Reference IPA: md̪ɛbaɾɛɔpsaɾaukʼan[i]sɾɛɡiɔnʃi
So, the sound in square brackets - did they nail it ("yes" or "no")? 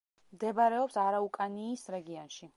no